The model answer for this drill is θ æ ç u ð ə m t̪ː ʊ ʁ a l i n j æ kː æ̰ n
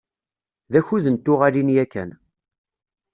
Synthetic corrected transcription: ð æ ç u ð ə n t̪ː ʊ ʁ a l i n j æ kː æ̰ n